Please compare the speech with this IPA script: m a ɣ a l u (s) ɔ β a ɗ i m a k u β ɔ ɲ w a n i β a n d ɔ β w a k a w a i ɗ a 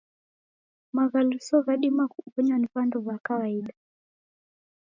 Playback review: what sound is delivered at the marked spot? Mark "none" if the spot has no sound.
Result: s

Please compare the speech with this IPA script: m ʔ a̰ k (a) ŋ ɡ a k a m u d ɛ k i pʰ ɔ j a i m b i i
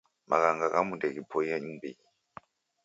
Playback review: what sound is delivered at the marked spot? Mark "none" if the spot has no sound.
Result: a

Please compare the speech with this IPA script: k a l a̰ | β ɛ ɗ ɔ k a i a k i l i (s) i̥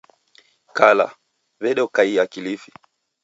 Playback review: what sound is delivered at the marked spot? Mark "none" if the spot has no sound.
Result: f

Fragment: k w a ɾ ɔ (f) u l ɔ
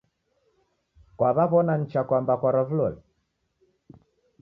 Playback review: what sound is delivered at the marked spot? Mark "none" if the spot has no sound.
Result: v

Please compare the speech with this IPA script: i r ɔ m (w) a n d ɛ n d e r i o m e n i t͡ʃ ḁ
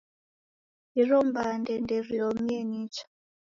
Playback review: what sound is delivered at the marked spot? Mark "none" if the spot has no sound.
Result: b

